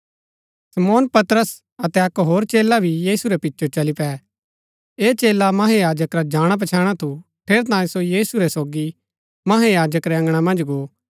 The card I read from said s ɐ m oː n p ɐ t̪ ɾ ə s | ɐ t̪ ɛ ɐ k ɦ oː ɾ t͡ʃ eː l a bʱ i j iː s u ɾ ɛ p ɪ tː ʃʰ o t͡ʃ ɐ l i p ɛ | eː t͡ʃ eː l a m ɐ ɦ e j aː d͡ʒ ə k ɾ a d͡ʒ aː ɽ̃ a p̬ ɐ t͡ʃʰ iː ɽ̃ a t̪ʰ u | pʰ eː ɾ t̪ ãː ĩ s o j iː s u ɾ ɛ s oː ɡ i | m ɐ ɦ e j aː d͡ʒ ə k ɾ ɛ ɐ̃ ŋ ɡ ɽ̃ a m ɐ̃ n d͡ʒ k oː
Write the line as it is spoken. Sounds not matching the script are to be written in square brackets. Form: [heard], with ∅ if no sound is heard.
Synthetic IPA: s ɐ m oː n p ɐ t̪ ɾ ə s | ɐ t̪ ɛ ɐ k ɦ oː ɾ t͡ʃ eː l a bʱ i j iː s u ɾ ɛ p ɪ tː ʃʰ o t͡ʃ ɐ l i p ɛ | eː t͡ʃ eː l a m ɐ ɦ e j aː d͡ʒ ə k ɾ a d͡ʒ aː ɽ̃ a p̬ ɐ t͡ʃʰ [aː] ɽ̃ a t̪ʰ u | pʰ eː ɾ t̪ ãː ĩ s o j iː s u ɾ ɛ s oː ɡ i | m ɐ ɦ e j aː d͡ʒ ə k ɾ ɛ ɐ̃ ŋ ɡ ɽ̃ a m ɐ̃ n d͡ʒ [ɡ] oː